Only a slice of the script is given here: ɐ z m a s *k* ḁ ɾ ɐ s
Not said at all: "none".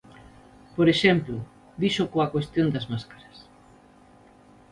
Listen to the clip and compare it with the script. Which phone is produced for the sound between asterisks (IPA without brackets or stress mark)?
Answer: k